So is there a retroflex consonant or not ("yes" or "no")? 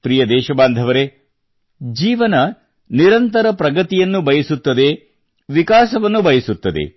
no